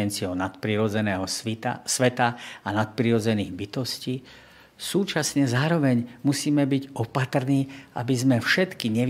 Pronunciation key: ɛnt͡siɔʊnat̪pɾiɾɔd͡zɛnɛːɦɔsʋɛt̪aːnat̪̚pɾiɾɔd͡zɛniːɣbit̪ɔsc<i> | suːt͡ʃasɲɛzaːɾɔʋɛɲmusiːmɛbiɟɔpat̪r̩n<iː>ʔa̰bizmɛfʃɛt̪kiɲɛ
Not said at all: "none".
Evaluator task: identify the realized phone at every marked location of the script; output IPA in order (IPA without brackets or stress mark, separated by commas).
iː, iː